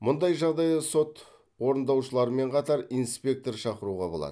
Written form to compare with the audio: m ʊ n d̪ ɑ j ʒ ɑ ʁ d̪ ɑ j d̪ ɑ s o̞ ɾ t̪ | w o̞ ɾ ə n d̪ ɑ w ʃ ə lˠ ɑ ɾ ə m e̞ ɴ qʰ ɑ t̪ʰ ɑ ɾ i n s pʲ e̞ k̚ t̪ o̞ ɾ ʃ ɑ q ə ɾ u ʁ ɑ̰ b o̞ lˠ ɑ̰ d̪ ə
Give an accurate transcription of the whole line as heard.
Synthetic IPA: m ʊ n d̪ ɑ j ʒ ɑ ʁ d̪ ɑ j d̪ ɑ s o̞ t̪ | w o̞ ɾ ə n d̪ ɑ w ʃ ə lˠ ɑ ɾ ə m e̞ ɴ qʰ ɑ t̪ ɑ ɾ i n s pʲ e̞ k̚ t̪ o̞ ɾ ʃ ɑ q ə ɾ u ʁ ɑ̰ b o̞ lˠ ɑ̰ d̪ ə